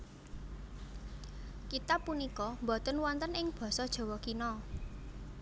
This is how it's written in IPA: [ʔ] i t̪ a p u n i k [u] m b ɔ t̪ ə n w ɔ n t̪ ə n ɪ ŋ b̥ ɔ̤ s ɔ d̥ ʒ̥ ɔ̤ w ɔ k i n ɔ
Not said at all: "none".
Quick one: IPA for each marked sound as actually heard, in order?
k, ɔ

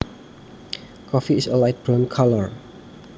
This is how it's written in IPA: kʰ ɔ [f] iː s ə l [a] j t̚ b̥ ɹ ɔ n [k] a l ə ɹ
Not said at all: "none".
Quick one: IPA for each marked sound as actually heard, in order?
f, a, kʰ

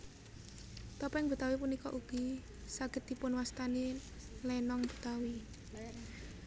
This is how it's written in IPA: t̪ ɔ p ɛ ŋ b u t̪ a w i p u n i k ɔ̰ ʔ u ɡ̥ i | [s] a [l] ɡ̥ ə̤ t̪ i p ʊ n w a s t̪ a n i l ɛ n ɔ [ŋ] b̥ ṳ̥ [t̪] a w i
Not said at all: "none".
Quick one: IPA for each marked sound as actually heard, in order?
s, none, ŋ, t̪

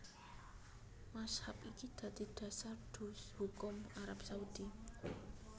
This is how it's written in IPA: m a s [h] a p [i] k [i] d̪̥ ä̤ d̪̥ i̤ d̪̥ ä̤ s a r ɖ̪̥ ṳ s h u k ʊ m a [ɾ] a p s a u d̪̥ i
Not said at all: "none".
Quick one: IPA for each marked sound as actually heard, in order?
h, i, i, ɾ

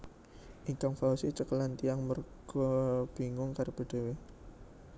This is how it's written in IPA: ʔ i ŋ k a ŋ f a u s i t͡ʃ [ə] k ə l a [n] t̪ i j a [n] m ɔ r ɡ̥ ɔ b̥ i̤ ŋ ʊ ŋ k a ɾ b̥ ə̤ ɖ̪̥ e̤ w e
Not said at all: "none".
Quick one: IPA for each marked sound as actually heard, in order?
ə, n, ŋ

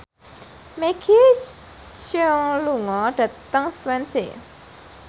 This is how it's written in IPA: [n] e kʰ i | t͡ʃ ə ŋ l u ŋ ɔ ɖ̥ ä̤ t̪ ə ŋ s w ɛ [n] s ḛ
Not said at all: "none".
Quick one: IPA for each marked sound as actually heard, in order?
m, n

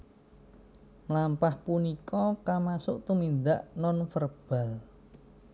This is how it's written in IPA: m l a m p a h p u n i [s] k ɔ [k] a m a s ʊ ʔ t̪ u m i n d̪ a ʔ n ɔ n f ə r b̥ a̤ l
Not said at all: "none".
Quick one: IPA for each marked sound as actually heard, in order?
none, k

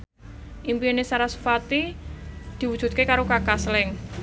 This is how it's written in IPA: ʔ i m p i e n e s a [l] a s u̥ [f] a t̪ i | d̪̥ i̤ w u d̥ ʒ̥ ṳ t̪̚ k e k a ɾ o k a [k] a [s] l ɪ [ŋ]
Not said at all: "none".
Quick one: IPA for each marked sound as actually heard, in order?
ɾ, f, k, s, ŋ

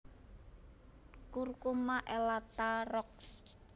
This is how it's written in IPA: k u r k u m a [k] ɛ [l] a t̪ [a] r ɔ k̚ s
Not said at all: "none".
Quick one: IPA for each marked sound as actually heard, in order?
ʔ, l, a

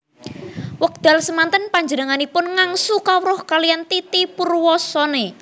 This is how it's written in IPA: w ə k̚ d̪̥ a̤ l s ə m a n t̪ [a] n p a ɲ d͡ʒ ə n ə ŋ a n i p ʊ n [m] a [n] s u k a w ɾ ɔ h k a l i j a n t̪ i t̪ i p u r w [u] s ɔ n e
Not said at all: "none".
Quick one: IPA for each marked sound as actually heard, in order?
ə, ŋ, ŋ, ɔ

